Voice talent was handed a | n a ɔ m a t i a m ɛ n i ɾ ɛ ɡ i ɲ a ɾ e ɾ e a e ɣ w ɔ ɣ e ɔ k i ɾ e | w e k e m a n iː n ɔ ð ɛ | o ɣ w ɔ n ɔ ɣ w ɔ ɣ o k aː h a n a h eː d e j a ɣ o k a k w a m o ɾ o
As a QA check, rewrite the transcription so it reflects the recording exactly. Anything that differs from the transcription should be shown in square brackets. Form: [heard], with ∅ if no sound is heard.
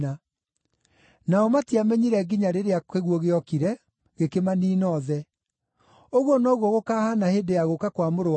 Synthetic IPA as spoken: a | n a ɔ m a t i a m ɛ [ɲ] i ɾ ɛ ɡ i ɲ a ɾ e ɾ e a e ɣ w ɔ ɣ e ɔ k i ɾ [ɛ] | [ɣ] e k e m a n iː n ɔ ð ɛ | o ɣ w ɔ n ɔ ɣ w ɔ ɣ o k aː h a n a h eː d e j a ɣ o k a k w a m o ɾ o